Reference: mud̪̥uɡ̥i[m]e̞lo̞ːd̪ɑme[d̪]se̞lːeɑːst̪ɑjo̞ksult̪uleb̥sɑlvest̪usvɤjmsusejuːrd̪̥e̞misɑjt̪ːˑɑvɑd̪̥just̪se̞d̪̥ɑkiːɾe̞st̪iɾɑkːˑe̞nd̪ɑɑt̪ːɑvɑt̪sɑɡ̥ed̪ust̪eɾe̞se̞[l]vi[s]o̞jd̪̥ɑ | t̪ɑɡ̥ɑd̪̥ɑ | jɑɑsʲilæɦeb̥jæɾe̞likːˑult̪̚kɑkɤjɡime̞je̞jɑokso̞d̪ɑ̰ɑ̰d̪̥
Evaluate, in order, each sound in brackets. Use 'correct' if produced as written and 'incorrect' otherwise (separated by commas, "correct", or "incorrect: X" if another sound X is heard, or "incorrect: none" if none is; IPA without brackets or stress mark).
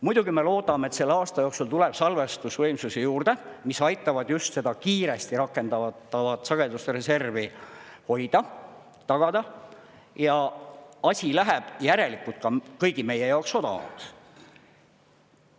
correct, incorrect: t̪, incorrect: r, incorrect: h